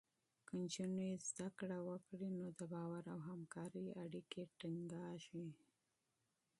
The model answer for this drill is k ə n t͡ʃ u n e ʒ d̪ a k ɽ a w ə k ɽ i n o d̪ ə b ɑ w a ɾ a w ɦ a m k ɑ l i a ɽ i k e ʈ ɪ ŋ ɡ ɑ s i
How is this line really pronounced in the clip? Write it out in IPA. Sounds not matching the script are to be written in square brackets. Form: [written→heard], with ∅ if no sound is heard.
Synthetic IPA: k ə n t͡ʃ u n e [ʒ→z] d̪ a k ɽ a w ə k ɽ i n o d̪ ə b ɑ w a ɾ a w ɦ a m k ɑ [l→ɾ] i a ɽ i k e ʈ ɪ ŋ ɡ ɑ [s→ʃ] i